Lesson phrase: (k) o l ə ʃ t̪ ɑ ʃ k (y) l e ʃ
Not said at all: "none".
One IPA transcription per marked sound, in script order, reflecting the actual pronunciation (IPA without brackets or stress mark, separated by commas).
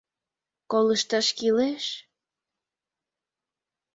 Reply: k, i